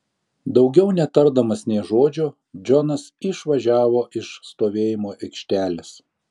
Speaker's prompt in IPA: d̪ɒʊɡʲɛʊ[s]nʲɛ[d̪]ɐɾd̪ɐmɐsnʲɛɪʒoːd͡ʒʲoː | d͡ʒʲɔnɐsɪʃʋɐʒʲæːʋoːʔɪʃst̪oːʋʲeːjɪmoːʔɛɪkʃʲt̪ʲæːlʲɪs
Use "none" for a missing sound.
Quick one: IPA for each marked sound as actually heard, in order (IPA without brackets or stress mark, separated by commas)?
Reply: none, t̪